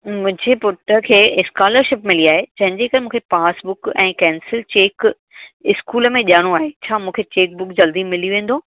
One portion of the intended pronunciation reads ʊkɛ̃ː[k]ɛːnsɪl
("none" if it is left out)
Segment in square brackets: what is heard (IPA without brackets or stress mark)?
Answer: k